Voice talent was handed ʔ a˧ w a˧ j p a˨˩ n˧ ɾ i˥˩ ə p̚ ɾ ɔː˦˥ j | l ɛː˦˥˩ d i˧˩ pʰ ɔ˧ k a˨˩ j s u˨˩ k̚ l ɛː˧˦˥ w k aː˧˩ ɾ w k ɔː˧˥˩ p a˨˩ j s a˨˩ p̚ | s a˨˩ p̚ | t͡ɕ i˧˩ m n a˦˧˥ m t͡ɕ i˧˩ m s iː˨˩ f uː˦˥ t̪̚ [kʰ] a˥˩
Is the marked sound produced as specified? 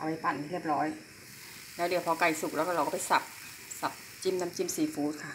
yes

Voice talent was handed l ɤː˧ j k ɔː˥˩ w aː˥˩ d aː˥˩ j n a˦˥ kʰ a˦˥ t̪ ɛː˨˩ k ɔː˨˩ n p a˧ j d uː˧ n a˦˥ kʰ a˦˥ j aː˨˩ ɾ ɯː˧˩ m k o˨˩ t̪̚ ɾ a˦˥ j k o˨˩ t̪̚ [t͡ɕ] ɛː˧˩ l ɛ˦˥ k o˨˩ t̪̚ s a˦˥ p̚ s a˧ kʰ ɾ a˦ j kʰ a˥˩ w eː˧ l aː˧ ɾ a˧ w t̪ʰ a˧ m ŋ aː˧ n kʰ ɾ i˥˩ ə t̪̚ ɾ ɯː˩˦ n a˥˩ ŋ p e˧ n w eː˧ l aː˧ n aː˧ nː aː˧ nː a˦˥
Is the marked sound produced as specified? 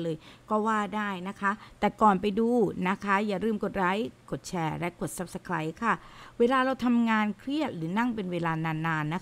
no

